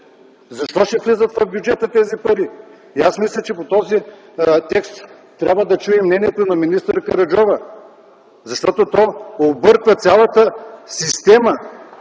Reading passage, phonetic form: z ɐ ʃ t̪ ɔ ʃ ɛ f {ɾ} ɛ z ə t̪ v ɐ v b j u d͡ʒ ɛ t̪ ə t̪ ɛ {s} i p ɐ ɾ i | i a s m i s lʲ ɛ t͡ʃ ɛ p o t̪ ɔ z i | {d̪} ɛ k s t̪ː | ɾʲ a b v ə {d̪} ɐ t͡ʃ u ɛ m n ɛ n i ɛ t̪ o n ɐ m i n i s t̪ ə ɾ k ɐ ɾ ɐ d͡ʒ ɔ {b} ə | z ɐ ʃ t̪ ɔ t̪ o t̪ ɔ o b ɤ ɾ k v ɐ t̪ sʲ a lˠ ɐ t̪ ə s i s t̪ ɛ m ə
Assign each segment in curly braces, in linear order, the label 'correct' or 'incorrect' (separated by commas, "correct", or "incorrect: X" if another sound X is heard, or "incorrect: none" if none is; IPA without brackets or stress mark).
incorrect: l, incorrect: z, incorrect: t̪, correct, incorrect: v